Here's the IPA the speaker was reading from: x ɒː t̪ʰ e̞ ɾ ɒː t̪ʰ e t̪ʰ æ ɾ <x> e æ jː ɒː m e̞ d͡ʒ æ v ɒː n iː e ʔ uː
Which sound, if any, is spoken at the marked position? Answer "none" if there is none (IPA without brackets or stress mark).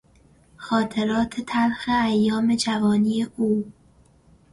x